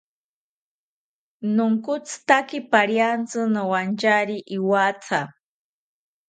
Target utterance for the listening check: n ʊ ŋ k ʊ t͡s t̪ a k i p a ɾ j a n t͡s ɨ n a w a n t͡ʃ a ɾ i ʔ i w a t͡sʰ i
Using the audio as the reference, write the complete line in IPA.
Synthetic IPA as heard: n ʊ ŋ k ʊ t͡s t̪ a k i p a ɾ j a n t͡s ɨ n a w a n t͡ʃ a ɾ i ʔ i w a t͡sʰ a